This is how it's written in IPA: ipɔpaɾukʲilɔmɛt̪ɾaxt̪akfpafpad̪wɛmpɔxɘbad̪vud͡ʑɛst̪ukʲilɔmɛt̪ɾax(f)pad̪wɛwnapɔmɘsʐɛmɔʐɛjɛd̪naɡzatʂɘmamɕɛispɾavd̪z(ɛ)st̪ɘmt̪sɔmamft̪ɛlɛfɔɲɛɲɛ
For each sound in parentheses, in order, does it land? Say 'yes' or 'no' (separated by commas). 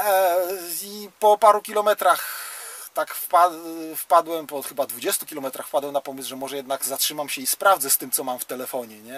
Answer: yes, yes